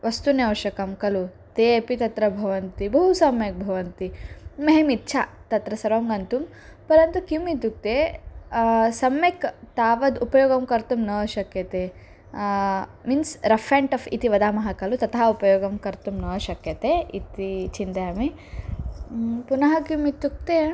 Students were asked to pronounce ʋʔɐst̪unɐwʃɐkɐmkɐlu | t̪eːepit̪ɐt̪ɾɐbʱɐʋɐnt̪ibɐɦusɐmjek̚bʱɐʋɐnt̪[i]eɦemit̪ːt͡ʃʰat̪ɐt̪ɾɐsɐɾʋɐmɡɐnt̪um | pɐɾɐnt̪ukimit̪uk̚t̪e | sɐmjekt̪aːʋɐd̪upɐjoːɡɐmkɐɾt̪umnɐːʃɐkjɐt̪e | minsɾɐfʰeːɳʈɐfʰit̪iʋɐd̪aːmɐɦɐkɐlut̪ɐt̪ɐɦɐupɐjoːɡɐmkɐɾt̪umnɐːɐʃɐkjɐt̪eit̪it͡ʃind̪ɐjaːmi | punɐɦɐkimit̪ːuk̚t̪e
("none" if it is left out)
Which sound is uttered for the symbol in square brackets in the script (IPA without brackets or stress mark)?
iː